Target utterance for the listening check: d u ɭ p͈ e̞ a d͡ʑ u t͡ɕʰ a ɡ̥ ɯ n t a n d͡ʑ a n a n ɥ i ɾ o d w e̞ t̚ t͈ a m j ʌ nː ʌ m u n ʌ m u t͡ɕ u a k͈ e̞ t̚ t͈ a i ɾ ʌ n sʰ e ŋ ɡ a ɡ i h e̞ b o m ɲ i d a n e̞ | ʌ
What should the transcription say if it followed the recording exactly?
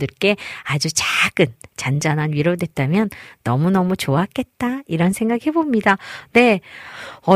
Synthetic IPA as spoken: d ɯ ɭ k͈ e̞ a d͡ʑ u t͡ɕ a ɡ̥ ɯ n t͡ɕ a n d͡ʑ a n a n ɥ i ɾ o d w e̞ t̚ t͈ a m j ʌ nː ʌ m u n ʌ m u t͡ɕ o a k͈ e̞ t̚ t͈ a i ɾ ʌ n sʰ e ŋ ɡ a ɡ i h e̞ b o m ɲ i d a n e̞ | ʌ